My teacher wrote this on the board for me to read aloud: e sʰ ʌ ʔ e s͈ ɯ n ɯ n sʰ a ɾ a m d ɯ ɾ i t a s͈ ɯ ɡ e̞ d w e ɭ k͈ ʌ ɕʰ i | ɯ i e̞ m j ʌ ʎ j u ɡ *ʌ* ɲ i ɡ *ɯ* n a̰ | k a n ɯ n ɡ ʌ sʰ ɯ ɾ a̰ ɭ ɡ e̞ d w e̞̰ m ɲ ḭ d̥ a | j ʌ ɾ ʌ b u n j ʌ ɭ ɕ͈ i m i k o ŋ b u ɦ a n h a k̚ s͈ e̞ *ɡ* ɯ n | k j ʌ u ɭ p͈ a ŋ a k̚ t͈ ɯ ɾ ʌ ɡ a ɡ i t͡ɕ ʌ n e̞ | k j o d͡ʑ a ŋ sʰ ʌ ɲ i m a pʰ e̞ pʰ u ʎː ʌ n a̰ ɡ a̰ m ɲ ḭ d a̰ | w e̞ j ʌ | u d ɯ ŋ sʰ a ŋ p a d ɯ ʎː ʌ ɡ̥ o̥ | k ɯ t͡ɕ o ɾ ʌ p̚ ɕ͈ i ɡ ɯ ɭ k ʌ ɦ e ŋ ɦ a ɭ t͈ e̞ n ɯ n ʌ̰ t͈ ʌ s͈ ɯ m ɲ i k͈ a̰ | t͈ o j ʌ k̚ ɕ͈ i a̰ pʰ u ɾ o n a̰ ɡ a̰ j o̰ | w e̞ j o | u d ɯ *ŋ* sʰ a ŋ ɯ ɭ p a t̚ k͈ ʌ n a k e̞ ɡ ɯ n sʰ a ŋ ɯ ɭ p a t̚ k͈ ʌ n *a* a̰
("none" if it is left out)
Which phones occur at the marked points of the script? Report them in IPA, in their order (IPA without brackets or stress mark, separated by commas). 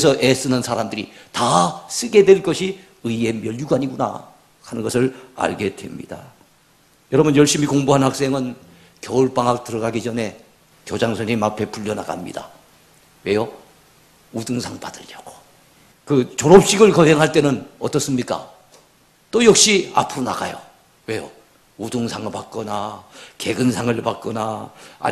a, u, ŋ, ŋ, a